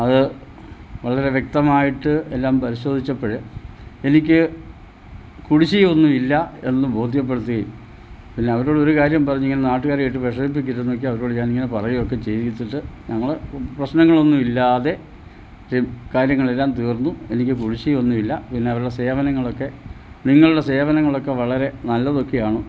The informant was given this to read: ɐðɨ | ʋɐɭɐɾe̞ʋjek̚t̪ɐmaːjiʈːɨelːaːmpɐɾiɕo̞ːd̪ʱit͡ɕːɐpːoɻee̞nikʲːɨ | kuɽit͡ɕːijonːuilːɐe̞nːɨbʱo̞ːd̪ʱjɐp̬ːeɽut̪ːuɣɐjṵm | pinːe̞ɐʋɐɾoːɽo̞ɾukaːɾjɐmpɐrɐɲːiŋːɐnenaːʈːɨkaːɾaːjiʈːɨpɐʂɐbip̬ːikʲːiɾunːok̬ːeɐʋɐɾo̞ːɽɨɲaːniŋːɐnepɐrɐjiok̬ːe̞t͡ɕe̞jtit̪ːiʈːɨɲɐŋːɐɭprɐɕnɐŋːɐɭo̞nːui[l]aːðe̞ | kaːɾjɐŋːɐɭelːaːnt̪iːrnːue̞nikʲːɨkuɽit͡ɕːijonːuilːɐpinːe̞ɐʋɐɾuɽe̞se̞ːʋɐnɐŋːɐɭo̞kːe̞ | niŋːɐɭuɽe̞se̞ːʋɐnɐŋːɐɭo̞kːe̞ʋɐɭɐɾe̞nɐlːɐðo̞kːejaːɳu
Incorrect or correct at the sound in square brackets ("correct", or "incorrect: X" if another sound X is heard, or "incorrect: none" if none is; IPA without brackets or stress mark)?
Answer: incorrect: lː